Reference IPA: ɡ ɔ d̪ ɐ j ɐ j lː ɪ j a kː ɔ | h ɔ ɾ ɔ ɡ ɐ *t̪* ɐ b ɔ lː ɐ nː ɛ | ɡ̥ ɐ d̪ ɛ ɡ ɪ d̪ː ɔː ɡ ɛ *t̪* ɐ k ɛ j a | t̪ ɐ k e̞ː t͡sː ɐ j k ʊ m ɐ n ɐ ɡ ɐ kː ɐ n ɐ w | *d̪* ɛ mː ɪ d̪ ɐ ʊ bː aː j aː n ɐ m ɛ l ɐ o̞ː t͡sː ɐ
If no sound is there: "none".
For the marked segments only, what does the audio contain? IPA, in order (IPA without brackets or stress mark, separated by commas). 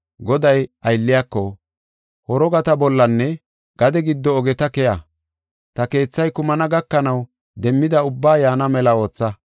t̪, t̪, d̪